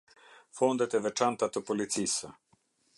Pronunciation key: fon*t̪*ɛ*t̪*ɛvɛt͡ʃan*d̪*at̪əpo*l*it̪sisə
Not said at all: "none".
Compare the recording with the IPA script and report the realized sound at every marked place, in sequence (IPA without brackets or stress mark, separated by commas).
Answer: d̪, t̪, t̪, l